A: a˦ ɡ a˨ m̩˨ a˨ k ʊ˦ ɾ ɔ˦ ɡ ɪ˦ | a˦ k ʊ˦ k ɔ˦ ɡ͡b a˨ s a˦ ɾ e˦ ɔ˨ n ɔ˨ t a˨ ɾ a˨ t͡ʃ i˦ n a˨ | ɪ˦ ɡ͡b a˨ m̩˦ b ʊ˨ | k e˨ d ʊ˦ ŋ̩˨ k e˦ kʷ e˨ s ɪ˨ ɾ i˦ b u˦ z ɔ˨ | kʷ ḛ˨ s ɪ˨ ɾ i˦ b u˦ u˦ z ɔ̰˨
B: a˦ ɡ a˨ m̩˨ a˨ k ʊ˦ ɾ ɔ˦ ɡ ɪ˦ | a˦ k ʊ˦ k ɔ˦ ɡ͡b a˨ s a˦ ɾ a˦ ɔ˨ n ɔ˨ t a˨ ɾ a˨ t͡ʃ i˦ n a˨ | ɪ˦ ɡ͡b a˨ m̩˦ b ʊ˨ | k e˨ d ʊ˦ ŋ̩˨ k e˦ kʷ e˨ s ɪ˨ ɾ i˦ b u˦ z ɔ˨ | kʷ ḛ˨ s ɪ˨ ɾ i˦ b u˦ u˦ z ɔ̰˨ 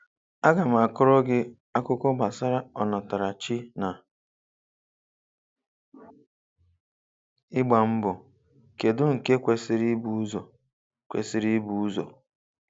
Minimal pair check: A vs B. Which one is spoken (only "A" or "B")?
B